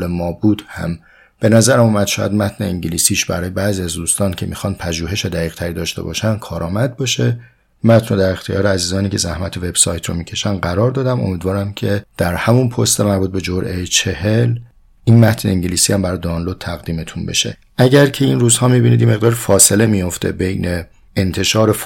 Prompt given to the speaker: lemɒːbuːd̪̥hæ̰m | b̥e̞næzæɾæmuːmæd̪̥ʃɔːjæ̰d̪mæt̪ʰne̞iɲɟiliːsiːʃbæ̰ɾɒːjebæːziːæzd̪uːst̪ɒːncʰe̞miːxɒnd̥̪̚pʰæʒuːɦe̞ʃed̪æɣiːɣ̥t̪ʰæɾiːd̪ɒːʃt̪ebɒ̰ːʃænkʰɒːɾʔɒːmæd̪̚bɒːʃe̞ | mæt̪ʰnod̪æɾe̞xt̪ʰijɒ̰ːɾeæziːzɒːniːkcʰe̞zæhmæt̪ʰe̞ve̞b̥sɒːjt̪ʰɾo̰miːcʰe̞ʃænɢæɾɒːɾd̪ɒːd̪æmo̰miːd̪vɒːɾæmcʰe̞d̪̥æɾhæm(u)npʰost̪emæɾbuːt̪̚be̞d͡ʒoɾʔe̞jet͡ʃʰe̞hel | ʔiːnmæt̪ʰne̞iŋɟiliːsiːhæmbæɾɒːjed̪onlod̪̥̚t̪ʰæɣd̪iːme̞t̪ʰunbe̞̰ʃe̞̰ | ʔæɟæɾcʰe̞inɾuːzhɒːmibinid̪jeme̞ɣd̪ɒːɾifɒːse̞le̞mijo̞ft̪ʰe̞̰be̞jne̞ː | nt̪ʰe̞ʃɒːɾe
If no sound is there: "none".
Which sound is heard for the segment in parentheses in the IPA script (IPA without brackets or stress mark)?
u